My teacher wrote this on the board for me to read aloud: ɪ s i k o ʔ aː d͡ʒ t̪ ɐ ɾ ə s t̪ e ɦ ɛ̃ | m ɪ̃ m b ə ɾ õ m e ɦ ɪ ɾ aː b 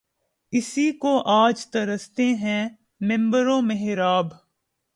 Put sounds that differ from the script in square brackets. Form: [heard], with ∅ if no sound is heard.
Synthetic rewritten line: ɪ s i k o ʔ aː d͡ʒ t̪ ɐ ɾ ə s t̪ e ɦ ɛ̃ | m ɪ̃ m b ə ɾ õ m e ɦ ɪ ɾ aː b